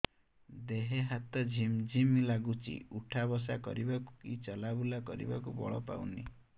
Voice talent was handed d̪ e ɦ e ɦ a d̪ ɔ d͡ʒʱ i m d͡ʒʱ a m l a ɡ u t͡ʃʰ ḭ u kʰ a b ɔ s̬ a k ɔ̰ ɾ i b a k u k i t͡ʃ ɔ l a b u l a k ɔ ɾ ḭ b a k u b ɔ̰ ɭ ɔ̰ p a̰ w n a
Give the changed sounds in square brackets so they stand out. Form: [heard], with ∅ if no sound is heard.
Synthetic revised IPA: d̪ e ɦ e ɦ a [t̪] ɔ d͡ʒʱ i m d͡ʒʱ [i] m l a ɡ u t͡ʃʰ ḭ u [ʈʰ] a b ɔ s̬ a k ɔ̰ ɾ i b a k u k i t͡ʃ ɔ l a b u l a k ɔ ɾ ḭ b a k u b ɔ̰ ɭ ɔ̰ p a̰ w n [i]